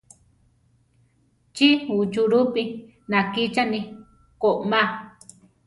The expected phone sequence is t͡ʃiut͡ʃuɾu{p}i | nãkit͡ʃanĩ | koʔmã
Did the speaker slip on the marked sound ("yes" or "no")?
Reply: no